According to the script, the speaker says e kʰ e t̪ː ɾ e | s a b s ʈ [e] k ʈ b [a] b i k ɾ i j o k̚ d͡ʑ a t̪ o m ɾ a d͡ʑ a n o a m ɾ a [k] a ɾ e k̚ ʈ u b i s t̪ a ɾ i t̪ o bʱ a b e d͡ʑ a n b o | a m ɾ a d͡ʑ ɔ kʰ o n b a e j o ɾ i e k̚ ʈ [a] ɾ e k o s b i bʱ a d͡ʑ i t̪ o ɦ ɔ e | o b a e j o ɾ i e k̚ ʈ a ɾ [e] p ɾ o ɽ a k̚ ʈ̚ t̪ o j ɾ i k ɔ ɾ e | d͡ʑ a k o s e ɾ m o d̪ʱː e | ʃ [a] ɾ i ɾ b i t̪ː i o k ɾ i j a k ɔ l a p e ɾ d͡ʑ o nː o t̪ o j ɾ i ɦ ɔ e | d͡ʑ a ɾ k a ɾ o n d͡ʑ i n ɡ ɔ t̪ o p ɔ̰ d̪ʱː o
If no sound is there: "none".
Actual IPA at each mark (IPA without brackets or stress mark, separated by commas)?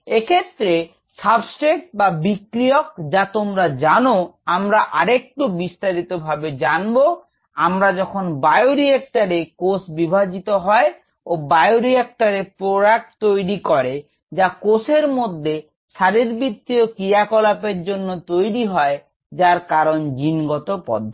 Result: e, a, ʔ, a, e, a